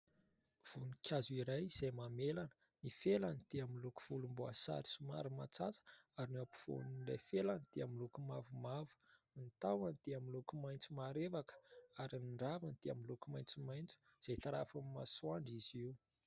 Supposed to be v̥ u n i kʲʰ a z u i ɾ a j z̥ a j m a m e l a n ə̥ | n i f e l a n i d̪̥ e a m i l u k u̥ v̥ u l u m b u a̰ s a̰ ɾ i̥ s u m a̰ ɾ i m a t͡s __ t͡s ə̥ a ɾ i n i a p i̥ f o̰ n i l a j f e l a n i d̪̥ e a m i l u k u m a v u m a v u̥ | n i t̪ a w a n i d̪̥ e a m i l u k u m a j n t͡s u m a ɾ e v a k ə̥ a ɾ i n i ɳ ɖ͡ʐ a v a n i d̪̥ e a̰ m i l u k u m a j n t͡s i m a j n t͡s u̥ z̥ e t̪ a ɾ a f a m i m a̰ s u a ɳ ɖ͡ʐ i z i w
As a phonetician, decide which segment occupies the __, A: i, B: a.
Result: B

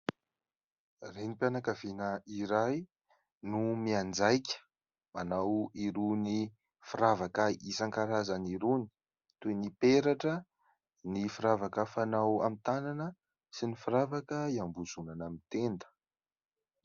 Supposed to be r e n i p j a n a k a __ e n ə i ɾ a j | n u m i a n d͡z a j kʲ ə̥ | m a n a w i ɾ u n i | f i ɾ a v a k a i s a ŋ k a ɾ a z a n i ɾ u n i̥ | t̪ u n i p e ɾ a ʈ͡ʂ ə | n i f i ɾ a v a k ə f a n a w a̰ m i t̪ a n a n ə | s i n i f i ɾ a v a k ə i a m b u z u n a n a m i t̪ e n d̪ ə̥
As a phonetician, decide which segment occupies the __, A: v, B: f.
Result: A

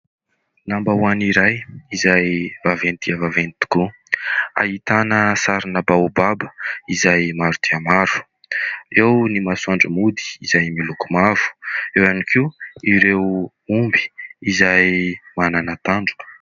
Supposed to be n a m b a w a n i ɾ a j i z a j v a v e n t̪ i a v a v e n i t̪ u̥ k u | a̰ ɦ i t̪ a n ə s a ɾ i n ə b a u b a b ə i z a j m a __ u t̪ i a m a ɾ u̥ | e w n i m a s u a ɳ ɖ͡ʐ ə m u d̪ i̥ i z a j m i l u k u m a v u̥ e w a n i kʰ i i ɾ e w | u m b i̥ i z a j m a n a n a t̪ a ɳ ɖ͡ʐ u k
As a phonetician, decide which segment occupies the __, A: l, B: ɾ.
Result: B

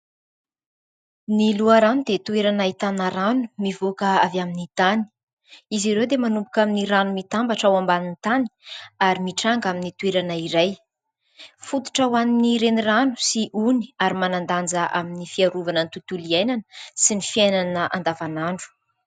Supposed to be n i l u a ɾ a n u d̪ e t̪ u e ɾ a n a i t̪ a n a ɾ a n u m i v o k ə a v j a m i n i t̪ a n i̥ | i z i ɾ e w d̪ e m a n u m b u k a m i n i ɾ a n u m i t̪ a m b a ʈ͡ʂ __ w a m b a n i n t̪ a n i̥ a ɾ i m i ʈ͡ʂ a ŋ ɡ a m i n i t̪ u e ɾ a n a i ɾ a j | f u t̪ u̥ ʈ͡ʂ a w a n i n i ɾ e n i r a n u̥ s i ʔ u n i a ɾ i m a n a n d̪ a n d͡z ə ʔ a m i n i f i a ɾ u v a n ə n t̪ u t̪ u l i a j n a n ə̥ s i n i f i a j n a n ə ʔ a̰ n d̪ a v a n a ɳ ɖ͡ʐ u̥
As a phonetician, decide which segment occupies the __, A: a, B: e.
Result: A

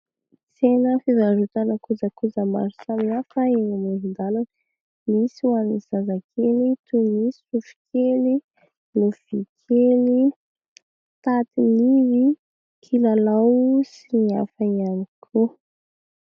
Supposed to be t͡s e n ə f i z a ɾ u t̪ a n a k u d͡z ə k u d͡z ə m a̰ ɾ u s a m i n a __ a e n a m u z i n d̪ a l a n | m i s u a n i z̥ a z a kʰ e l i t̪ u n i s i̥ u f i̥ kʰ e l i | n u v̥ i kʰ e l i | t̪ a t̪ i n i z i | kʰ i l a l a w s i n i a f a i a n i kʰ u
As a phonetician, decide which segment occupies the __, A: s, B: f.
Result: B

